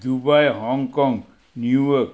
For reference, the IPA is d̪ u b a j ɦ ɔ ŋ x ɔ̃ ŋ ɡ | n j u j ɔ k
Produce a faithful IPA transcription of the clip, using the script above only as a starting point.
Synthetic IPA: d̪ u b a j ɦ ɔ ŋ k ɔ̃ ŋ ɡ | n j u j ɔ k